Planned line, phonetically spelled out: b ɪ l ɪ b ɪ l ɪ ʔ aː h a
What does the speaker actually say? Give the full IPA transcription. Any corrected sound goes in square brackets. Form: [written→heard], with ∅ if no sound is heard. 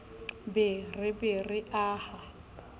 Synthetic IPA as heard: b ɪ [l→r] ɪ b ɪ [l→r] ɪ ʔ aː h a